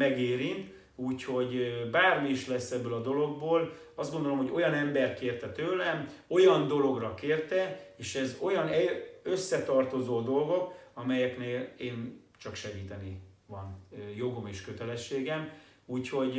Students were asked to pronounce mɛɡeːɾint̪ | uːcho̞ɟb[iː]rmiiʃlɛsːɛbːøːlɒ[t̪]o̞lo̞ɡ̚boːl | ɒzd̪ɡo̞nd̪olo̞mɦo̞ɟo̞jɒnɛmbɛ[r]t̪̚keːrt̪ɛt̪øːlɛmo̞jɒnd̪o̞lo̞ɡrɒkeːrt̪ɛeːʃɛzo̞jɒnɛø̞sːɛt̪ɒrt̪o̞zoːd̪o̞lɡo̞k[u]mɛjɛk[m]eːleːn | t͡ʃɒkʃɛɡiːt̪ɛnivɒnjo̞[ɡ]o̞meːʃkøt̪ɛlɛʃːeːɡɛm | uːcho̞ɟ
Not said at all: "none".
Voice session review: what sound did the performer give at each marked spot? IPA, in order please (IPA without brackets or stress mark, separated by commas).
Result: aː, d̪, r, ɒ, n, ɡ